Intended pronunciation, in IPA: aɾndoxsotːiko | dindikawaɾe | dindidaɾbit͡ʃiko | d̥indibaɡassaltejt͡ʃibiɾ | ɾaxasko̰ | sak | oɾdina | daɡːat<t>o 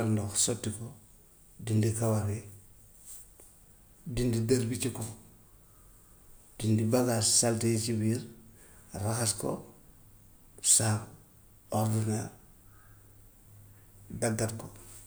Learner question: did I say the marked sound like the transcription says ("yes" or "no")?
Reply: no